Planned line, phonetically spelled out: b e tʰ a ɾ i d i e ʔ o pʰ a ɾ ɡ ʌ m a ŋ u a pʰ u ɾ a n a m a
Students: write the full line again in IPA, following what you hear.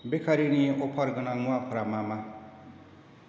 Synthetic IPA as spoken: b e kʰ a ɾ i n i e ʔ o pʰ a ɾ ɡ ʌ n a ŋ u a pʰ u ɾ a m a m a